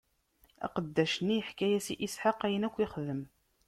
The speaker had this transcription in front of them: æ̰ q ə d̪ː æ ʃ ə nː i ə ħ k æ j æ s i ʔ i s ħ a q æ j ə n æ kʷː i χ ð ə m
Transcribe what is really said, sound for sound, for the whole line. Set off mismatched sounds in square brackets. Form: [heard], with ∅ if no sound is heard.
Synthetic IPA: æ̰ q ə d̪ː æ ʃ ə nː i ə ħ k æ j æ s i ʔ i s ħ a q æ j ə n æ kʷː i χ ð ə m